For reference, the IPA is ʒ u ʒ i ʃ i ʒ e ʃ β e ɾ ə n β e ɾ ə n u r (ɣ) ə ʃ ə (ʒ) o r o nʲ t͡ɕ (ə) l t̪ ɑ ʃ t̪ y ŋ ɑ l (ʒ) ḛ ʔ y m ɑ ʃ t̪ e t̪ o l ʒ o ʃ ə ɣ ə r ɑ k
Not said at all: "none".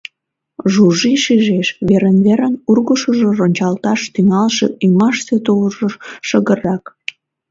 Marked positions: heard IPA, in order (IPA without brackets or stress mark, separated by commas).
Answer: ɣ, ʒ, ɑ, ʃ